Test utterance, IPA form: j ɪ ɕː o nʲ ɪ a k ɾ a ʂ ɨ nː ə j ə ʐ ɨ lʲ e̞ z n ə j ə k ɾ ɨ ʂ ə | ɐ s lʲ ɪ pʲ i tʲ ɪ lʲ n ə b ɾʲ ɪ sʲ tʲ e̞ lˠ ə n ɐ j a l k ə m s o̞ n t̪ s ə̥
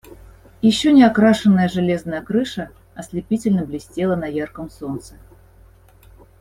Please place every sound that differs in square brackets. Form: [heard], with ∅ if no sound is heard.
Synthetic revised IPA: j ɪ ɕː o nʲ ɪ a k ɾ a ʂ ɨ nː ə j ə ʐ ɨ lʲ e̞ z n ə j ə k ɾ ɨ ʂ ə | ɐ s lʲ ɪ pʲ i tʲ ɪ lʲ n ə b [lʲ] ɪ sʲ tʲ e̞ lˠ ə n ɐ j a [r] k ə m s o̞ n t̪ s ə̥